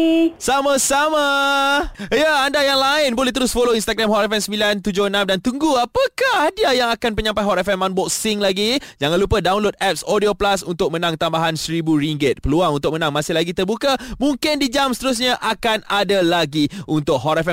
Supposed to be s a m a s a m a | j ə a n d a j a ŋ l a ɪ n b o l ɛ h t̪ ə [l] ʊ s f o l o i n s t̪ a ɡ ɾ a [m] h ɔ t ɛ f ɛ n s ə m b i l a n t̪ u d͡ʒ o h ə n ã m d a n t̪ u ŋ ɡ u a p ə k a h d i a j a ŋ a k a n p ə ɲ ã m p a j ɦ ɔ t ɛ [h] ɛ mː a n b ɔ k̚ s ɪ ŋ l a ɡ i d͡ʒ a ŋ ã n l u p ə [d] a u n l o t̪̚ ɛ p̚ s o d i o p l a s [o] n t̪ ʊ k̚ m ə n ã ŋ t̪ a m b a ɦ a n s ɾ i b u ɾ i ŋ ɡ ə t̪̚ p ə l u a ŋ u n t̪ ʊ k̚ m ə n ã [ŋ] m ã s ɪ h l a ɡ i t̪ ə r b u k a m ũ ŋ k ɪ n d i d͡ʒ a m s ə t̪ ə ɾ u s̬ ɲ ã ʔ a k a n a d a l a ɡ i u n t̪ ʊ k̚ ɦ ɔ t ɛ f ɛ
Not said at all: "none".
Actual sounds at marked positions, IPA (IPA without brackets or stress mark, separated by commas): ɾ, m, f, d, u, ŋ